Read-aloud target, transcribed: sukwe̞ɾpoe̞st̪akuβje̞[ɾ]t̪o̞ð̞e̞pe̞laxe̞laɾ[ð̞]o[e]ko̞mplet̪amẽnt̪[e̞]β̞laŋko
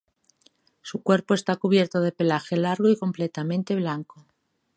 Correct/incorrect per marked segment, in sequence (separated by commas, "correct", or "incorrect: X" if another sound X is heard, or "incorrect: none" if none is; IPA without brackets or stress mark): correct, incorrect: ɣ̞, incorrect: i, correct